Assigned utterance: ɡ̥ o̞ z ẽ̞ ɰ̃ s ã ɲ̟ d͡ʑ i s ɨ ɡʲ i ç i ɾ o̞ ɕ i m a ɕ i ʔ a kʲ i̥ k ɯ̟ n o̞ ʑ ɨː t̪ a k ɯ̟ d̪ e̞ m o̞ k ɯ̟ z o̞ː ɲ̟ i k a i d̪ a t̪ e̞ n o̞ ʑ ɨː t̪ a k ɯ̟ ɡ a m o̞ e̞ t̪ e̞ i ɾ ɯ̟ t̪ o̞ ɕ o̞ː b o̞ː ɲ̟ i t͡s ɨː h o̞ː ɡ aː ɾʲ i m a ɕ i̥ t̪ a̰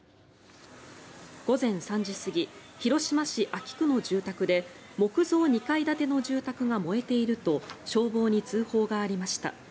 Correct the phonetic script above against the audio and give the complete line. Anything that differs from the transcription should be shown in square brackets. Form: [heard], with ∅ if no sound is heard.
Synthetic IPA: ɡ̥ o̞ z ẽ̞ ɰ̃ s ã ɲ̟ d͡ʑ i s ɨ ɡʲ i ç i ɾ o̞ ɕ i m a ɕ i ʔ a kʲ i̥ k ɯ̟ n o̞ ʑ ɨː t̪ a k ɯ̟ d̪ e̞ m o̞ k ɯ̟ z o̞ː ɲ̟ i k a i d̪ a t̪ e̞ n o̞ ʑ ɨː t̪ a k ɯ̟ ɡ a m o̞ e̞ t̪ e̞ i ɾ ɯ̟ t̪ o̞ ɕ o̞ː b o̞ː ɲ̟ i t͡s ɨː h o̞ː ɡ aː ɾʲ i m a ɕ i̥ t̪ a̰